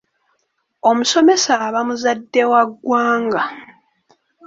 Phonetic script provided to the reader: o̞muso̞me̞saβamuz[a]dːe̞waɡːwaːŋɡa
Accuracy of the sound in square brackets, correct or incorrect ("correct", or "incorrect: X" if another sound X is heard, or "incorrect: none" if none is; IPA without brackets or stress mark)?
correct